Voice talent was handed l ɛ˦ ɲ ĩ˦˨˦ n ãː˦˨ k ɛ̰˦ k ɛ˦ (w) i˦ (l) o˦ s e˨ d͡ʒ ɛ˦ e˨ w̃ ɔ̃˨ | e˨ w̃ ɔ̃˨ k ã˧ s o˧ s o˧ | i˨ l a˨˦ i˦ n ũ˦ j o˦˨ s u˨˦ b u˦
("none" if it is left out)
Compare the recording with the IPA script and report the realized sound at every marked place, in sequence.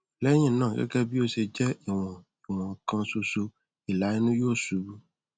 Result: b, none

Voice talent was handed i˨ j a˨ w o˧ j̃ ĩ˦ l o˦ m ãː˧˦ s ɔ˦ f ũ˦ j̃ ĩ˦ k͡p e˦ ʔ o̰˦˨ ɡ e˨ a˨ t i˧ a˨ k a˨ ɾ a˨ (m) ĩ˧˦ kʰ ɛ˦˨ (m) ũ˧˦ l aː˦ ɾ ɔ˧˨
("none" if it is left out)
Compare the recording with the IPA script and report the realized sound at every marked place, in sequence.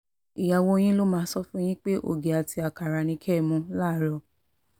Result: n, m

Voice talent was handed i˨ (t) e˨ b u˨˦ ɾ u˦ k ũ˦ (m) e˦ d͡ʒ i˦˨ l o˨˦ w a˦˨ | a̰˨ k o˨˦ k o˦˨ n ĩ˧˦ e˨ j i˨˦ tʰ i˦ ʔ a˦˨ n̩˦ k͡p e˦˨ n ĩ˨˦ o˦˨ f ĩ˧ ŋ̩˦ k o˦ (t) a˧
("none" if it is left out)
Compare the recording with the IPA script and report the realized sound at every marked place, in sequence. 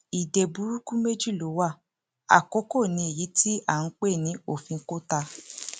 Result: d, m, t

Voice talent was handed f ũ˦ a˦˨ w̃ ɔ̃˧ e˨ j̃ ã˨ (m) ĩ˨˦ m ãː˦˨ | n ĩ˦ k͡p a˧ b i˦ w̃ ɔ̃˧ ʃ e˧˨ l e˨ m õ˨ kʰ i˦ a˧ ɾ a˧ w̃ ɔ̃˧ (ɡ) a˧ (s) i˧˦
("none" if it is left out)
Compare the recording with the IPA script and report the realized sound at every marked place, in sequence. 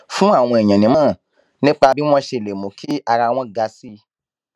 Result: n, ɡ, s

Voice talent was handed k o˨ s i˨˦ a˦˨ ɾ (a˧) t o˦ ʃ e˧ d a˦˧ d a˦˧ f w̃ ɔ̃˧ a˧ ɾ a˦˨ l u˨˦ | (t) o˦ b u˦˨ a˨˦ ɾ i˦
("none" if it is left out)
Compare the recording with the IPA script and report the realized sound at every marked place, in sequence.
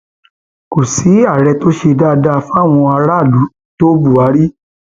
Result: ɛ˧, t

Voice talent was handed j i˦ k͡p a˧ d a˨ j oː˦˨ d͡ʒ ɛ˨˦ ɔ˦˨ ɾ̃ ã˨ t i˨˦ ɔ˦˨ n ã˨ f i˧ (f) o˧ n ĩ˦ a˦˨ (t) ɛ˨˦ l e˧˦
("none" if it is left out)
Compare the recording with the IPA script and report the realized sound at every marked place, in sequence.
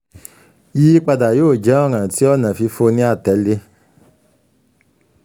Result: f, t

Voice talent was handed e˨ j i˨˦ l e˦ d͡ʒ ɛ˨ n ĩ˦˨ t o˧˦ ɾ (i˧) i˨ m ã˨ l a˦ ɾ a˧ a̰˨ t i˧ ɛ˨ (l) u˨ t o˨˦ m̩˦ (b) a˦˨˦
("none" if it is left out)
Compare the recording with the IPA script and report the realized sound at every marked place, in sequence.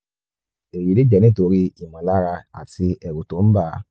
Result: i˧, ɾ, b

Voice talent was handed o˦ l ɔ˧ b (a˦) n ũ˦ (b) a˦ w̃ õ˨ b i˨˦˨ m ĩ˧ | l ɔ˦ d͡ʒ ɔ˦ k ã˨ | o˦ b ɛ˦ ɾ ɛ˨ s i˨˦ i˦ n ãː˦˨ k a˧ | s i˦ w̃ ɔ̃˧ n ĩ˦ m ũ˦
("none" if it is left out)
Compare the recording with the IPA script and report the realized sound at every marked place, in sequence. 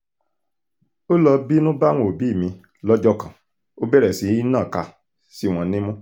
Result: i˦, b

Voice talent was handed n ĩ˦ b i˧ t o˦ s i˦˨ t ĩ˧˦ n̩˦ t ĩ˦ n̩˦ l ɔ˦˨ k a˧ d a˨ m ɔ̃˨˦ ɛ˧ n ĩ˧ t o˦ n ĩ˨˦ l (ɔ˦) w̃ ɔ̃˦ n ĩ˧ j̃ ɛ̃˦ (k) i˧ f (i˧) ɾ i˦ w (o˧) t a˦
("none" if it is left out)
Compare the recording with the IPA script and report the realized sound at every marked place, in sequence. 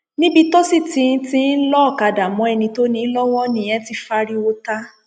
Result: ɔ˦, t, a˧, o˧

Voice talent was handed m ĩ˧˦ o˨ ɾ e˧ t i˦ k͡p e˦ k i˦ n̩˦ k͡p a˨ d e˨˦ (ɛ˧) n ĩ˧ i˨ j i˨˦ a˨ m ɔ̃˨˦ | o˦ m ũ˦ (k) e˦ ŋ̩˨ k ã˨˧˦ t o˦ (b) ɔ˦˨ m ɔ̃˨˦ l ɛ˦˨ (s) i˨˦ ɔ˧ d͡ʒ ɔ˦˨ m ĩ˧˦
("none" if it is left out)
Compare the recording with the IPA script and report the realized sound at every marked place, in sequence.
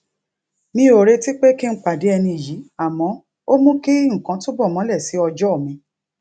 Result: ɛ˧, k, b, s

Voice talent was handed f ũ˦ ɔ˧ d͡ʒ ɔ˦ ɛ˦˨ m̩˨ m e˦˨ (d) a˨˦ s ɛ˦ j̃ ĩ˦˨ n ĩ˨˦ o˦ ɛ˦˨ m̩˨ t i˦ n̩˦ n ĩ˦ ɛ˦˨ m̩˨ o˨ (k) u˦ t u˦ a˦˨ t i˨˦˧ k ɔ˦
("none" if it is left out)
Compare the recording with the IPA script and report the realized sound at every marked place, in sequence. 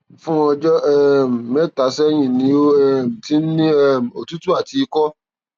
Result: t, t

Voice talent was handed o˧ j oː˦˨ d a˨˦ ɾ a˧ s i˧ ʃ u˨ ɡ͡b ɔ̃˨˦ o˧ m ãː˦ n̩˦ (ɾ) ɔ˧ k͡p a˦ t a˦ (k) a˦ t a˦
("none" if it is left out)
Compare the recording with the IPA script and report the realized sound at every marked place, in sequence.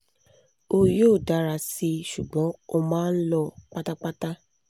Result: l, k͡p

